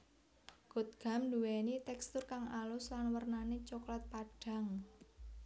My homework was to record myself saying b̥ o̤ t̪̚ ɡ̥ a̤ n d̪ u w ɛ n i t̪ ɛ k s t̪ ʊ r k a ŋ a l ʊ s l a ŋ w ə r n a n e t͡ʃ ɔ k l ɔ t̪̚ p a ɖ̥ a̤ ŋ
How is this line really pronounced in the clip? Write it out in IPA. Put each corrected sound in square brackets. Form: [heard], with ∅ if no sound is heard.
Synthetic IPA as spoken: [ɡ̥] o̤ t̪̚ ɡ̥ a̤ [m] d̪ u w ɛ n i t̪ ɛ k s t̪ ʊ r k a ŋ a l ʊ s l a [n] w ə r n a n e t͡ʃ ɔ k l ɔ t̪̚ p a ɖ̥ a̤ ŋ